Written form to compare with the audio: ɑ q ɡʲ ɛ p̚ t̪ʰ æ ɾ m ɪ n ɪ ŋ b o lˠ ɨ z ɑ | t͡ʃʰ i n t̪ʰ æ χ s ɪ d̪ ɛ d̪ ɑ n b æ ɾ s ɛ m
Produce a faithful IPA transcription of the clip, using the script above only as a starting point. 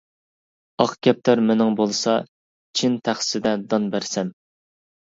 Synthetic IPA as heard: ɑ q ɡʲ ɛ p̚ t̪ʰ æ ɾ m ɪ n ɪ ŋ b o lˠ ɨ s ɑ | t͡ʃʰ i n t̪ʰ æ χ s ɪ d̪ ɛ d̪ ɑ n b æ ɾ s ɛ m